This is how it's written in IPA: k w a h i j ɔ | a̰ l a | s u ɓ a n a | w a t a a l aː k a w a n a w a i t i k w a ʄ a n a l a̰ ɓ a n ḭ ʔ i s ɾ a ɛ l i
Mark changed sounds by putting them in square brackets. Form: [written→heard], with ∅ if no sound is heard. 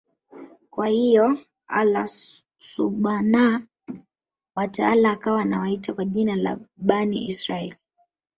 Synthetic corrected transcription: k w a h i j ɔ | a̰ l a | s u ɓ a n a | w a t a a l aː k a w a n a w a i t [i→a] k w a ʄ [a→i] n a l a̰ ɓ a n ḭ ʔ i s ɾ a ɛ l i

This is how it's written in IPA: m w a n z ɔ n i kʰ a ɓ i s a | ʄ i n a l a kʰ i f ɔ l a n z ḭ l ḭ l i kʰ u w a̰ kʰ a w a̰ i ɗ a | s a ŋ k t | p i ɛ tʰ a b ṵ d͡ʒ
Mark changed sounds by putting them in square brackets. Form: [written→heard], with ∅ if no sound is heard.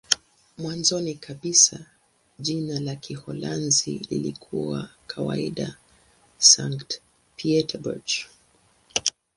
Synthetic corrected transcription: m w a n z ɔ n i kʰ a ɓ i s a | ʄ i n a l a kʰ i [f→h] ɔ l a n z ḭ l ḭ l i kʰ u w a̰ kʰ a w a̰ i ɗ a | s a ŋ k t | p i ɛ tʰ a b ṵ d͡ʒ

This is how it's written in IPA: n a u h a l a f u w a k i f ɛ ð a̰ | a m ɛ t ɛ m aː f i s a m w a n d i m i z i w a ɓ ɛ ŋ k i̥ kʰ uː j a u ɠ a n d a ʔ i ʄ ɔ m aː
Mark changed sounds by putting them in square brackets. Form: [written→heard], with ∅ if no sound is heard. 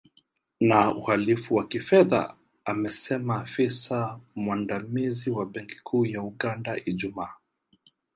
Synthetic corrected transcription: n a u h a l [a→i] f u w a k i f ɛ ð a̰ | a m ɛ [t→s] ɛ m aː f i s a m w a n d [i→a] m i z i w a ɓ ɛ ŋ k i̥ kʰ uː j a u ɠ a n d a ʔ i ʄ [ɔ→u] m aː

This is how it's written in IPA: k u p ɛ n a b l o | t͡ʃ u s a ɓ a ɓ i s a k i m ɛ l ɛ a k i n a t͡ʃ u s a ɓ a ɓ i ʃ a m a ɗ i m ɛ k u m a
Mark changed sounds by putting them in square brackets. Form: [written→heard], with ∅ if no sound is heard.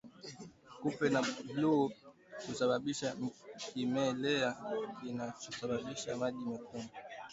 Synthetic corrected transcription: k u p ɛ n a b l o | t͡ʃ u s a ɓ a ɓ i [s→ʃ] a k i m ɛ l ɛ a k i n a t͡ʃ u s a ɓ a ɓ i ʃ a m a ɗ i m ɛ k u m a

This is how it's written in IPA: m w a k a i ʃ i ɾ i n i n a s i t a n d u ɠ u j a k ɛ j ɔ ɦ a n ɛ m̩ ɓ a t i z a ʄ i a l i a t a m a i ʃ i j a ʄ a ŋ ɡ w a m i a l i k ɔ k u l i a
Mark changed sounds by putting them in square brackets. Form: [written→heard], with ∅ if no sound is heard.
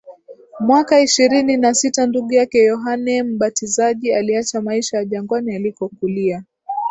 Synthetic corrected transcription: m w a k a i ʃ i ɾ i n i n a s i t a n d u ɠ u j a k ɛ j ɔ ɦ a n ɛ m̩ ɓ a t i z a ʄ i a l i a [t→t͡ʃ] a m a i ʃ [i→a] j a ʄ a ŋ ɡ w a [m→n] i a l i k ɔ k u l i a

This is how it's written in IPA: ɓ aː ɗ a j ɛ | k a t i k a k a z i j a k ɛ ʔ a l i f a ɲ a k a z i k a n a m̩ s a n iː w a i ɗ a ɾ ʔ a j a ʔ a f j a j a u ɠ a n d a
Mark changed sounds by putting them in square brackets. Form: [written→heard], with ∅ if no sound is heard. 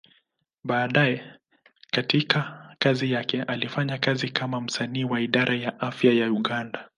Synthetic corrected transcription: ɓ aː ɗ a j ɛ | k a t i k a k a z i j a k ɛ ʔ a l i f a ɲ a k a z i k a [n→m] a m̩ s a n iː w a i ɗ a ɾ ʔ a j a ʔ a f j a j a u ɠ a n d a

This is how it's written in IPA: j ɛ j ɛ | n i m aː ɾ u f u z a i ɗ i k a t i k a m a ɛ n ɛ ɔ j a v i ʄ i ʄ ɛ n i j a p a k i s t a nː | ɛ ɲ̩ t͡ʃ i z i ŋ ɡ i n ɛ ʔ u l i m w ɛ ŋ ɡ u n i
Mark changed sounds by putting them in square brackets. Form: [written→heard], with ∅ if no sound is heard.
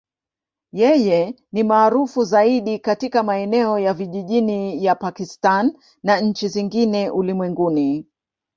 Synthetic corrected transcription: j ɛ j ɛ | n i m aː ɾ u f u z a i ɗ i k a t i k a m a ɛ n ɛ ɔ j a v i ʄ i ʄ [ɛ→i] n i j a p a k i s t a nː | [ɛ→a] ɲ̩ t͡ʃ i z i ŋ ɡ i n ɛ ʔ u l i m w ɛ ŋ ɡ u n i

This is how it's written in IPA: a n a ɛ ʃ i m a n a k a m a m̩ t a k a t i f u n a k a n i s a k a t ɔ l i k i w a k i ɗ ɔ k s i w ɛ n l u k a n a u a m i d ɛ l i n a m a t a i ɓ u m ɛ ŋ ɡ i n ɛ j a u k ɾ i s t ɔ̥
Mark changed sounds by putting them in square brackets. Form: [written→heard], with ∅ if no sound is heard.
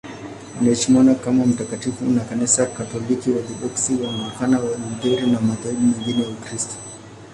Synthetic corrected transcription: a n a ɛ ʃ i m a n a k a m a m̩ t a k a t i f u n a k a n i s a k a t ɔ l i k i w a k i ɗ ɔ k s i w [ɛ→a] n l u k a n a [u→w] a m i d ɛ [l→ɾ] i n a m a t a i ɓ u m ɛ ŋ ɡ i n ɛ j a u k ɾ i s t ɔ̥

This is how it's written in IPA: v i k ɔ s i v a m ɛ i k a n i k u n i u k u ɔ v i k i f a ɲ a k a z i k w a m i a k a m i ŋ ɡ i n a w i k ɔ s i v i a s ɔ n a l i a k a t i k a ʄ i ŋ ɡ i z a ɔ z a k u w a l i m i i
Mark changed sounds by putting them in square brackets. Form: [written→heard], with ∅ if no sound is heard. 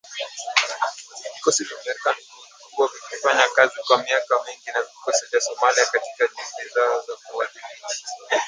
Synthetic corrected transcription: v i k ɔ s i v a m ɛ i k a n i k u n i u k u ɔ v i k i f a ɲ a k a z i k w a m i a k a m i ŋ ɡ i n a [w→v] i k ɔ s i v [i→j] a s ɔ [n→m] a l i a k a t i k a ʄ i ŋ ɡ i z a ɔ z a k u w a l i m i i

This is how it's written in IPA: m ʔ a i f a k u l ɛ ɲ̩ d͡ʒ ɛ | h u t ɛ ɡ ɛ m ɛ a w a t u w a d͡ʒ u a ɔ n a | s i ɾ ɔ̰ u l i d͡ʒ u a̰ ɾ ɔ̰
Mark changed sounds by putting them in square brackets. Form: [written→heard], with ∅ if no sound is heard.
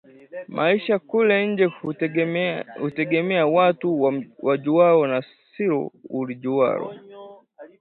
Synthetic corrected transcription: m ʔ a i [f→ʃ] a k u l ɛ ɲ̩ d͡ʒ ɛ | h u t ɛ ɡ ɛ m ɛ a w a t u w a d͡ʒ u a ɔ n a | s i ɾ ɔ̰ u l i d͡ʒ u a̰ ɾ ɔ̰

